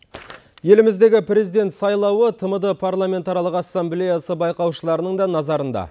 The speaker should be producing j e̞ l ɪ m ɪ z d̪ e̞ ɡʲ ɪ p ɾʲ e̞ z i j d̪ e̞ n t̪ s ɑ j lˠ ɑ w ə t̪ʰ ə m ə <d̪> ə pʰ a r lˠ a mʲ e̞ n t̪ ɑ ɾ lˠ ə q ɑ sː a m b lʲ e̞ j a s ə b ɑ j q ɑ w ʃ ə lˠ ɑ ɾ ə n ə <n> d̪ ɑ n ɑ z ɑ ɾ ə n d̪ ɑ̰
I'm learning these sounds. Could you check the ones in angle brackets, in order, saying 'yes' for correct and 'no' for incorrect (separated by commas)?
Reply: yes, no